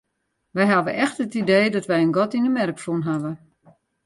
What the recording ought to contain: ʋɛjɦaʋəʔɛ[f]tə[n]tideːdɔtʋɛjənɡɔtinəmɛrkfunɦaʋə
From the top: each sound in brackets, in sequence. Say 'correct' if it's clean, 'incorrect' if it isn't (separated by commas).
incorrect, incorrect